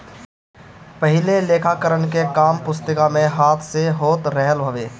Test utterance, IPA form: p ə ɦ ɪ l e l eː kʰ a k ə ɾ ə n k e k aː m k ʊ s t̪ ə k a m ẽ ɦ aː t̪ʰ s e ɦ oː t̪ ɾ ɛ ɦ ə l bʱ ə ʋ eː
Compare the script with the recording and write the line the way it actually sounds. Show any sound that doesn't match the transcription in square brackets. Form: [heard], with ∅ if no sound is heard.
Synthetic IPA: p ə ɦ ɪ l e l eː kʰ a k ə ɾ ə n k e k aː m [p] ʊ s t̪ ə k a m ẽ ɦ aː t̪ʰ s e ɦ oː t̪ ɾ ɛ ɦ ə l bʱ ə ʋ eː